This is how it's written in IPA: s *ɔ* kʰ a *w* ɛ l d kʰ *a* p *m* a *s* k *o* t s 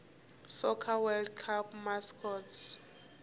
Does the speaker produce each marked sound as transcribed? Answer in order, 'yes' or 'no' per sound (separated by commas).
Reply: yes, yes, yes, yes, yes, no